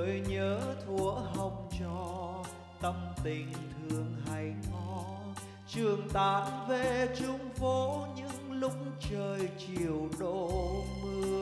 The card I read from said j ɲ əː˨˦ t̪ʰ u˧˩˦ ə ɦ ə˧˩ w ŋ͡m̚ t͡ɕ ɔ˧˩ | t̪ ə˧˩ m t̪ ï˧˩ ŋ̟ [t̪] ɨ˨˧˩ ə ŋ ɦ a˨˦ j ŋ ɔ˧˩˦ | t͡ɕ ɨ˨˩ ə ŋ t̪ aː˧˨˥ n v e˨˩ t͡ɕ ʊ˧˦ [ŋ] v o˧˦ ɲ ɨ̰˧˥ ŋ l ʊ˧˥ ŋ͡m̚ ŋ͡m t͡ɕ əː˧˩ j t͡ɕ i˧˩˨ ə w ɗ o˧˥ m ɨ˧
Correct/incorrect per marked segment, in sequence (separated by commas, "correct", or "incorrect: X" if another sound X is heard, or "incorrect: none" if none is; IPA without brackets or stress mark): incorrect: t̪ʰ, incorrect: ŋ͡m